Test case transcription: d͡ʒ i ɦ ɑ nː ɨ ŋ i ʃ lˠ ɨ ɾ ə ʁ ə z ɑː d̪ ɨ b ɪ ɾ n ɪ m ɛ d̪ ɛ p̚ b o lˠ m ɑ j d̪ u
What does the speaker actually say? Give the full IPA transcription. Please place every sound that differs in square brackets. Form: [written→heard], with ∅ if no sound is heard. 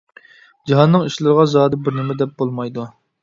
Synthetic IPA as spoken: d͡ʒ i ɦ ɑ nː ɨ ŋ i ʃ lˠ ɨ ɾ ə ʁ [ə→ɑ] z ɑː d̪ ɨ b ɪ ɾ n ɪ m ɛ d̪ ɛ p̚ b o lˠ m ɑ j d̪ u